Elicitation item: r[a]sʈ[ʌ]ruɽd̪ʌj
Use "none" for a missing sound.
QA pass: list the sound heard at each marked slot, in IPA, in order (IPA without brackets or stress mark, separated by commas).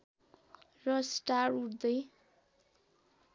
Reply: ʌ, a